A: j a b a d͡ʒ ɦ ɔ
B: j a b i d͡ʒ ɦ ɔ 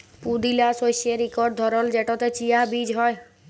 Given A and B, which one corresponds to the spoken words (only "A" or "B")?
B